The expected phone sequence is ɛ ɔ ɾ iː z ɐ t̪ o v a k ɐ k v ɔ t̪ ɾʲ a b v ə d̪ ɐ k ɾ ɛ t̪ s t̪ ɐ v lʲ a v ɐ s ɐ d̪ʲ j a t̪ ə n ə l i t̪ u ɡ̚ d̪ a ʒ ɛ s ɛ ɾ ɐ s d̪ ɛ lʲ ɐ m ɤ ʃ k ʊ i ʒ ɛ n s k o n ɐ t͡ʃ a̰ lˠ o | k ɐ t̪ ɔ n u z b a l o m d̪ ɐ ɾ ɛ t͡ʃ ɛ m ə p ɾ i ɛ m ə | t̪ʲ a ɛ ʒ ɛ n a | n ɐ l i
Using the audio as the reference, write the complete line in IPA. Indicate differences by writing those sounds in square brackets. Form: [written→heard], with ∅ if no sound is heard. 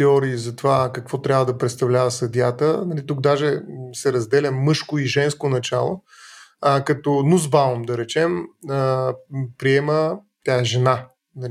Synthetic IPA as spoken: ɛ ɔ ɾ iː z ɐ t̪ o v a k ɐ k v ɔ t̪ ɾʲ a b v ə d̪ ɐ [k→p] ɾ ɛ t̪ s t̪ ɐ v lʲ a v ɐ s ɐ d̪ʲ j a t̪ ə n [ə→ɐ] l i t̪ u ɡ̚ d̪ a ʒ ɛ s ɛ ɾ ɐ [s→z] d̪ ɛ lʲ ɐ m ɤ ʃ k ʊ i ʒ ɛ n s k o n ɐ t͡ʃ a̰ lˠ o | k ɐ t̪ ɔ n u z b a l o m d̪ ɐ ɾ ɛ t͡ʃ ɛ m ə p ɾ i ɛ m ə | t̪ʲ a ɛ ʒ ɛ n a | n ɐ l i